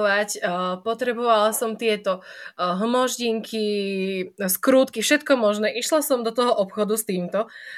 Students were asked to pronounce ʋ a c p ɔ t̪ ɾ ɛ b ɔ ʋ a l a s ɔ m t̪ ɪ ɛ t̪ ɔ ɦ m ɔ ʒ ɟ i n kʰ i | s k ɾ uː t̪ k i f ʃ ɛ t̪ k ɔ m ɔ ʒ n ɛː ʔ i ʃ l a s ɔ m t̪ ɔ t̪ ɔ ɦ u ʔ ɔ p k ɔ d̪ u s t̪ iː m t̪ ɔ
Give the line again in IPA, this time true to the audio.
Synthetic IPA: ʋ a c p ɔ t̪ ɾ ɛ b ɔ ʋ a l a s ɔ m t̪ ɪ ɛ t̪ ɔ ɦ m ɔ ʒ ɟ i ŋ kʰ i | s k ɾ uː t̪ k i f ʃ ɛ t̪ k ɔ m ɔ ʒ n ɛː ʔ i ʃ l a s ɔ m d̪ ɔ t̪ ɔ ɦ ɔ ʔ ɔ p x ɔ d̪ u s t̪ iː m t̪ ɔ